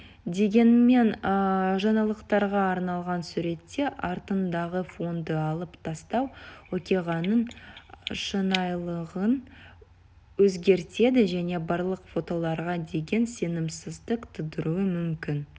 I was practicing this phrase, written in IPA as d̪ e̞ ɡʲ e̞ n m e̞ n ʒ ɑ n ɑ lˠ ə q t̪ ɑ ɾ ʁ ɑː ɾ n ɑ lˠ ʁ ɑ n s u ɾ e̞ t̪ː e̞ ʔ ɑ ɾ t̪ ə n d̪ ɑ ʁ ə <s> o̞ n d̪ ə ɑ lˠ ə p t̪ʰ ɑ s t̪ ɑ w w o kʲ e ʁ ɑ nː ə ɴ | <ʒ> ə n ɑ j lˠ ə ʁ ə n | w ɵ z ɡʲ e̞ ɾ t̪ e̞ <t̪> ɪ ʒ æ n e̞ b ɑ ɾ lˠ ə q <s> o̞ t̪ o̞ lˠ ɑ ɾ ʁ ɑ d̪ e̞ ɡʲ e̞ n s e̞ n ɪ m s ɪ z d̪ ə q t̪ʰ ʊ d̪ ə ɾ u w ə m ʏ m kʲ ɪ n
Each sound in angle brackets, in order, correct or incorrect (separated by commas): incorrect, incorrect, incorrect, incorrect